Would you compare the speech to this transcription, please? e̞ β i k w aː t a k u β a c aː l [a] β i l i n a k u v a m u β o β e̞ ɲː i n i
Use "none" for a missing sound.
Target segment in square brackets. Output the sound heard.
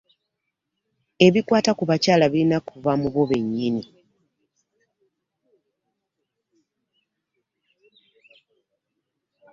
a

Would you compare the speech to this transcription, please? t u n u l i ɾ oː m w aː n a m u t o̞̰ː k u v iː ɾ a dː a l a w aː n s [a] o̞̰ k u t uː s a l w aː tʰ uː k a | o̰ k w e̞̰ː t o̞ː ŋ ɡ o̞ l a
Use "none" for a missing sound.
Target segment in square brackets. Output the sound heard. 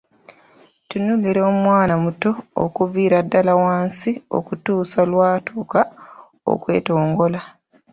i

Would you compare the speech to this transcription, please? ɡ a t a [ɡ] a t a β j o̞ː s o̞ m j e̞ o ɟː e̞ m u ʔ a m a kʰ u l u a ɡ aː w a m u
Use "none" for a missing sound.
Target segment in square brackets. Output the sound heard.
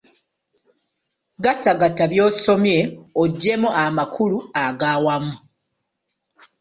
ɡ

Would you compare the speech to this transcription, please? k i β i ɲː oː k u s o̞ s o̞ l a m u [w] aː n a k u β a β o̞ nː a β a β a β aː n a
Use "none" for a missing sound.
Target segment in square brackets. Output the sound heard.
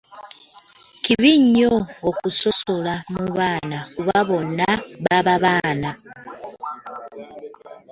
β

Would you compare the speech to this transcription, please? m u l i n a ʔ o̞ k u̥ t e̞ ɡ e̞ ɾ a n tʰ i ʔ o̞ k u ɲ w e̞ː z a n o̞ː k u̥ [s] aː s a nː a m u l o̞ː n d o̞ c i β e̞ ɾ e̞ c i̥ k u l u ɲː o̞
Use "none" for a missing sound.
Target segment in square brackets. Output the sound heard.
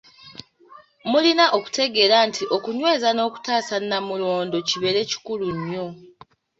t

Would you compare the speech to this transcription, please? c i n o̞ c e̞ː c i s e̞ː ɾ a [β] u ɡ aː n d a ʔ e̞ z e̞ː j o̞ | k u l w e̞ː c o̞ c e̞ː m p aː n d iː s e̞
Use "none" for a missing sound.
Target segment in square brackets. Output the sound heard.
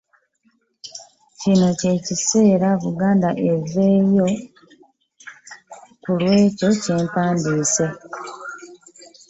β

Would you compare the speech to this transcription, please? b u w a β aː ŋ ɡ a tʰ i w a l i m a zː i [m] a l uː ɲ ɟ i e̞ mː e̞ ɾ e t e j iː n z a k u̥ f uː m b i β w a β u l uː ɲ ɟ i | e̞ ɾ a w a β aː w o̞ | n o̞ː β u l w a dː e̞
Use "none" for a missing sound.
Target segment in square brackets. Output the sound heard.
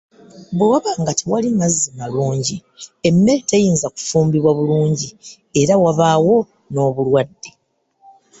m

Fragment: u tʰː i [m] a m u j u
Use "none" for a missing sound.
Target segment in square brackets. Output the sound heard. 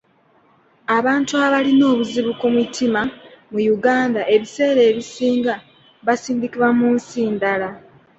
m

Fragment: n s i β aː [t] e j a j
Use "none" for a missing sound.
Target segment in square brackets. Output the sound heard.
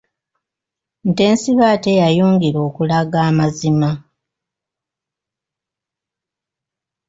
t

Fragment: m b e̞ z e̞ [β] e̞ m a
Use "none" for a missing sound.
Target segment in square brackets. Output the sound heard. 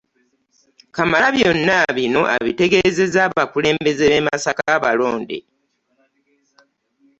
β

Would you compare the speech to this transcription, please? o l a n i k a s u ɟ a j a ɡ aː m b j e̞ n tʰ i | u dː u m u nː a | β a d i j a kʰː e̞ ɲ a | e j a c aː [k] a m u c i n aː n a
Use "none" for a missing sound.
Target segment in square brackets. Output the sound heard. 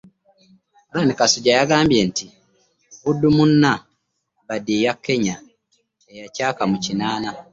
k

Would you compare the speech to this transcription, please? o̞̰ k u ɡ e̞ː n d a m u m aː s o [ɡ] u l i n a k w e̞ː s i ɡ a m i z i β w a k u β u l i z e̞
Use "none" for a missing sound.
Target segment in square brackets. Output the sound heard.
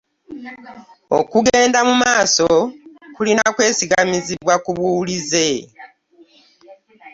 k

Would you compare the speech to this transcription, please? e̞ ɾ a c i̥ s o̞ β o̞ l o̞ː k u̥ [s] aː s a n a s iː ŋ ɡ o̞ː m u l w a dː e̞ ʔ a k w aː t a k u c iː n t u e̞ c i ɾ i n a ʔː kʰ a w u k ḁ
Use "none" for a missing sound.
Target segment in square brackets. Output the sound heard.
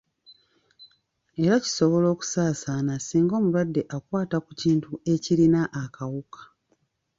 s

